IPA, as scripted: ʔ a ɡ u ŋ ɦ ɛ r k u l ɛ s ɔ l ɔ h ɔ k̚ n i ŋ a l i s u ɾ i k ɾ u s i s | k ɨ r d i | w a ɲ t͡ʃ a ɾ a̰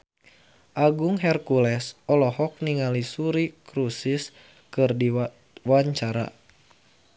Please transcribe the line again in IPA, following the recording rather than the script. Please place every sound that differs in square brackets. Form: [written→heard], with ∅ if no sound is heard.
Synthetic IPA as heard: ʔ a ɡ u ŋ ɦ ɛ r k u l ɛ s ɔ l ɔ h ɔ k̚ n i ŋ a l i s u ɾ i k ɾ u s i s | k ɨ r d i | w a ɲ t͡ʃ a ɾ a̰